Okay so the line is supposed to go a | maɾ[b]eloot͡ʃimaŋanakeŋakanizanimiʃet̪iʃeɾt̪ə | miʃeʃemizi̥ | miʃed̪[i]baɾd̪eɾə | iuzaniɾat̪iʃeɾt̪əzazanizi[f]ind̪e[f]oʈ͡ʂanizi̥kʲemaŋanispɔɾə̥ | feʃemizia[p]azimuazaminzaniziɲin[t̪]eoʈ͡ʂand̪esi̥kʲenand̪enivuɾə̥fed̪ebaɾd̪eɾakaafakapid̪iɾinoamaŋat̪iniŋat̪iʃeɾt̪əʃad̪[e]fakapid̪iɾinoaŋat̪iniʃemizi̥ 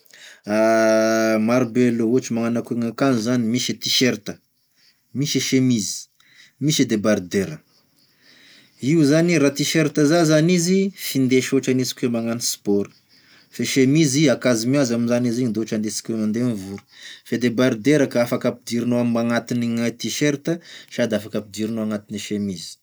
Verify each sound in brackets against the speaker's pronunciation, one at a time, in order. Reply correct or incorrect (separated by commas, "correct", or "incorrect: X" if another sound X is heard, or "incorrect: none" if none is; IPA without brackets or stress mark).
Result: correct, incorrect: e, correct, incorrect: ʃ, incorrect: k, incorrect: d̪, incorrect: a